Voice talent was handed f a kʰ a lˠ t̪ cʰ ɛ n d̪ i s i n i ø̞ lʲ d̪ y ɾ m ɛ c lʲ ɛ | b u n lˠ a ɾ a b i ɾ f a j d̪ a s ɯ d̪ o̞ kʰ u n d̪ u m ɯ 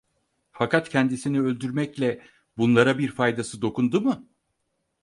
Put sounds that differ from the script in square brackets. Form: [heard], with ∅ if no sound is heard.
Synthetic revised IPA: f a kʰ a [∅] t̪ cʰ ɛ n d̪ i s i n i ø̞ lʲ d̪ y ɾ m ɛ c lʲ ɛ | b u n lˠ a ɾ a b i ɾ f a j d̪ a s ɯ d̪ o̞ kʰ u n d̪ u m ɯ